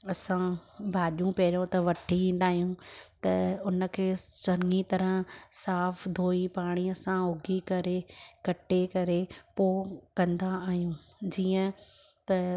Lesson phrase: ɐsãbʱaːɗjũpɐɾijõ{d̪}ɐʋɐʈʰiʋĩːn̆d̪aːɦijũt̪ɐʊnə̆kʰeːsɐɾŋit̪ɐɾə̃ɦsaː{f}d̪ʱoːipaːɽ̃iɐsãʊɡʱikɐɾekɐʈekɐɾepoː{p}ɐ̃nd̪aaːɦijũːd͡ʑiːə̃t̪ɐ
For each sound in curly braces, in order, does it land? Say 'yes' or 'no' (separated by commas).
no, yes, no